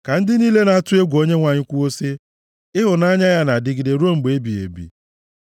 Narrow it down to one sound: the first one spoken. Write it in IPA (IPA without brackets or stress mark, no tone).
k